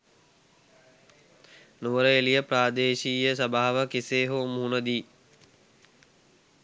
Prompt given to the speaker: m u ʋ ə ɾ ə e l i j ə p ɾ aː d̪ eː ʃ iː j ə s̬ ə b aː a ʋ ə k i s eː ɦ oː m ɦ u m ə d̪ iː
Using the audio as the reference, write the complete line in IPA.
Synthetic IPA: n u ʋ ə ɾ ə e l i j ə p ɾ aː d̪ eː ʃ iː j ə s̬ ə b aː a ʋ ə k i s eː ɦ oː m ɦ u n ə d̪ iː

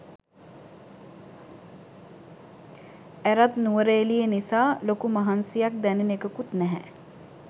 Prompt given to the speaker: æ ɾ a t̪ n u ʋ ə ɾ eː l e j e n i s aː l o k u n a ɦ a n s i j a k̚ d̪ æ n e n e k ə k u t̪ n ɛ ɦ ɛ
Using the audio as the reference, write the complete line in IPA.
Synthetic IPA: æ ɾ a t̪ n u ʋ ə ɾ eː l i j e n i s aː l o k u m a ɦ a n s i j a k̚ d̪ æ n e n e k ə k u t̪ n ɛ ɦ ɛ

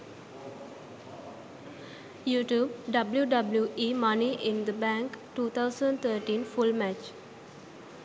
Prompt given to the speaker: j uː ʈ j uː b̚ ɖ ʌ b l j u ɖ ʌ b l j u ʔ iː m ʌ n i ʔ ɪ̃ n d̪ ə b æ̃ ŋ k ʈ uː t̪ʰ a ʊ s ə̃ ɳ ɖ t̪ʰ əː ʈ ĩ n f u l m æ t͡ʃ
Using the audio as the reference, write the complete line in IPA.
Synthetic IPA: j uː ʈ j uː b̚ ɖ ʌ b l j u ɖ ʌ b l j u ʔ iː m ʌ n i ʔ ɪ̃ n d̪ ə b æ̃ ŋ k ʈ uː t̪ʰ a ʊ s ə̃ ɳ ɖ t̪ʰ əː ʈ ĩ n f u l m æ t͡ʃ

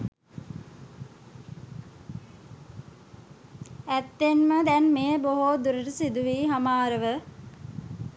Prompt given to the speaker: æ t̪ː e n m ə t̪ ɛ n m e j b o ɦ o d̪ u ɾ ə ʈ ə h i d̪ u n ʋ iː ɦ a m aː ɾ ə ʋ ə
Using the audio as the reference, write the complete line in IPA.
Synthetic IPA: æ t̪ː e n m ə d̪ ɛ n m e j b o ɦ o d̪ u ɾ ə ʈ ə s i d̪ u ʋ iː ɦ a m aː ɾ ə ʋ ə

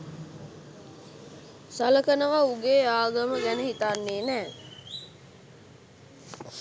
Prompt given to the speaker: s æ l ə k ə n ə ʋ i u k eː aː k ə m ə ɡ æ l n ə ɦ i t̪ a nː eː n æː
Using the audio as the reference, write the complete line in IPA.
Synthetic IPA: s a l ə k ə n ə ʋ a u ɡ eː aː ɡ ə m ə ɡ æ n ə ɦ i t̪ a nː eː n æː

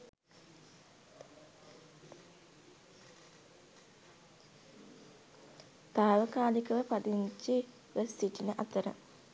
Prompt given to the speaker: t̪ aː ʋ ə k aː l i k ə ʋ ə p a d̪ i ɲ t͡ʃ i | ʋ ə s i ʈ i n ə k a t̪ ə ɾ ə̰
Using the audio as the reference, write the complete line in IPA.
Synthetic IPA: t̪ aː ʋ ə k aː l i k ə ʋ ə p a d̪ i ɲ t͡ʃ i | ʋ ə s i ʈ i n ə ʔ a t̪ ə ɾ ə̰

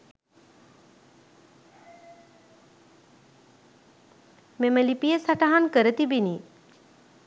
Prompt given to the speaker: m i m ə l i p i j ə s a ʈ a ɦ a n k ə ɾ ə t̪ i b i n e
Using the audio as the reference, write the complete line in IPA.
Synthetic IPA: m e m ə l i p i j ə s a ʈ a ɦ a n k ə ɾ ə t̪ i b i n i

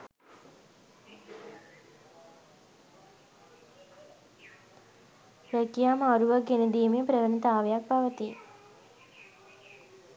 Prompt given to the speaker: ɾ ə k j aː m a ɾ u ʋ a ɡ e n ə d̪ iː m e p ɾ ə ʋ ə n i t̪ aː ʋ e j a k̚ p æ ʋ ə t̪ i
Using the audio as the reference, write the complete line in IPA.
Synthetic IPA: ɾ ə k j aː m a ɾ u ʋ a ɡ e n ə d̪ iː m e p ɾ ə ʋ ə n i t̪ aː ʋ e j a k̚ p a ʋ ə t̪ i

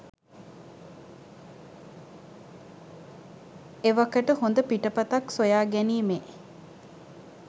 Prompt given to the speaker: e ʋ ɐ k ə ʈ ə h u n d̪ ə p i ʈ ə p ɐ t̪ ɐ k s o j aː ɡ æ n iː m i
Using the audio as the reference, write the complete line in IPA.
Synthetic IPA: e ʋ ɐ k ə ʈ ə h o n d̪ ə p i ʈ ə p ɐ t̪ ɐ k s o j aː ɡ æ n iː m e

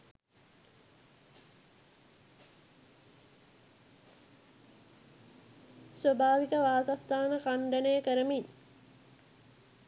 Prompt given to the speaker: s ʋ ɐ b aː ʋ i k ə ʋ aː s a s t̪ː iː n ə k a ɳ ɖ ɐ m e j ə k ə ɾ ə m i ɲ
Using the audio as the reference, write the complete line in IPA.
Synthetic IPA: s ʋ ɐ b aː ʋ i k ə ʋ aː s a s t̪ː aː n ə k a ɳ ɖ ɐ n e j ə k ə ɾ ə m i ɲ

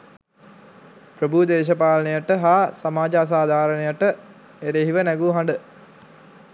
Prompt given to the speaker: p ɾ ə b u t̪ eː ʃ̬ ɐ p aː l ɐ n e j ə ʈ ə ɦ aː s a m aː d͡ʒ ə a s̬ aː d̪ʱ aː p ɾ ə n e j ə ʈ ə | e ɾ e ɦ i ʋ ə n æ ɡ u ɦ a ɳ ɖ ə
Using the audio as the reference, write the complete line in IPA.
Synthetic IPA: p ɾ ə b u d̪ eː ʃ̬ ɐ p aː l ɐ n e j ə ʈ ə ɦ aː s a m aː d͡ʒ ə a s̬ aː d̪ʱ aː ɾ ə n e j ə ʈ ə | e ɾ e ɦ i ʋ ə n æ ɡ u ɦ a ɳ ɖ ə

